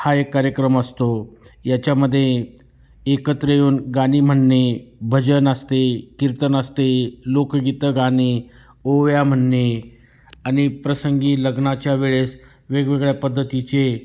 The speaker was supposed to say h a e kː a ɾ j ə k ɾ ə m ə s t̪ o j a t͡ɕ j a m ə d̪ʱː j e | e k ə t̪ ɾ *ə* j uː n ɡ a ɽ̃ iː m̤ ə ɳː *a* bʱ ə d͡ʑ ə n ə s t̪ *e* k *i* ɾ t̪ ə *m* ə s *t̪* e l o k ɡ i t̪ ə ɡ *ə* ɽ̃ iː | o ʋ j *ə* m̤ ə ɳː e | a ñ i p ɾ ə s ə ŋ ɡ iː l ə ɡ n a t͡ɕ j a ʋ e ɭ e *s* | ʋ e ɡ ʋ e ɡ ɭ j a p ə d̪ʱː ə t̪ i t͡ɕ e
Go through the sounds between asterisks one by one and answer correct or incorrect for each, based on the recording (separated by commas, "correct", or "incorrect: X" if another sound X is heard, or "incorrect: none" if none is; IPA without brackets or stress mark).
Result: correct, incorrect: e, correct, correct, incorrect: n, correct, incorrect: a, incorrect: a, correct